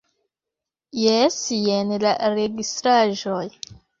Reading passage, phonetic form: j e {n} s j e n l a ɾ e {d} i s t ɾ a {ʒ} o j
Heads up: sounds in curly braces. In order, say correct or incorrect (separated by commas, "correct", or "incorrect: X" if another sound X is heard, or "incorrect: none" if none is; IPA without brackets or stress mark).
incorrect: none, incorrect: ɡ, correct